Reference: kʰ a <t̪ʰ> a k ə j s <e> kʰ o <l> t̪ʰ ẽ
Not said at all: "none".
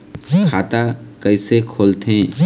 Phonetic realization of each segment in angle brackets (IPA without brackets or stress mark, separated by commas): t̪, e, l